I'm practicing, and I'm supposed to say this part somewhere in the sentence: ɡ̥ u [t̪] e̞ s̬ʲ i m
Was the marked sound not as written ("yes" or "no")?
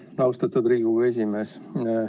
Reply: yes